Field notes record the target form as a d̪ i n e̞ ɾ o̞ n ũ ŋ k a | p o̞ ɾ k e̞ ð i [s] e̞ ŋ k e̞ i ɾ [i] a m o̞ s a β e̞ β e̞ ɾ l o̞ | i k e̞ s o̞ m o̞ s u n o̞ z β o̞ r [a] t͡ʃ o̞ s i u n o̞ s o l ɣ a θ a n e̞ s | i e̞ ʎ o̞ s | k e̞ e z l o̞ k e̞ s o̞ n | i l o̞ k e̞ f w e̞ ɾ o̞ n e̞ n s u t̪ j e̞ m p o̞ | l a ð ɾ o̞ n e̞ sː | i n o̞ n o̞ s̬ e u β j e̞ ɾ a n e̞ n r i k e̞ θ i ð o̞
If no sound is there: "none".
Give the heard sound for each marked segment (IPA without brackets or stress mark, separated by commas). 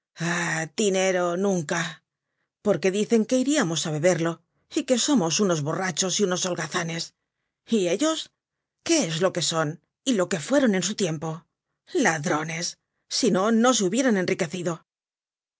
θ, i, a